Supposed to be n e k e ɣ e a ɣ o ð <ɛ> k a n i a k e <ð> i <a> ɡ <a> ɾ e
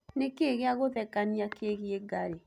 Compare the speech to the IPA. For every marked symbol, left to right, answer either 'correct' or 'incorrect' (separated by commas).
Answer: correct, incorrect, incorrect, correct